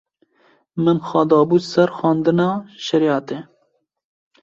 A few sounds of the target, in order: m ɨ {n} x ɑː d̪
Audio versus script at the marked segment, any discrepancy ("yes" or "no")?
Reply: no